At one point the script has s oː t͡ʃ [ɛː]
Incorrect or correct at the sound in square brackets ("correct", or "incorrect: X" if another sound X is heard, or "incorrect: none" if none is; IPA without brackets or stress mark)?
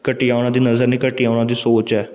correct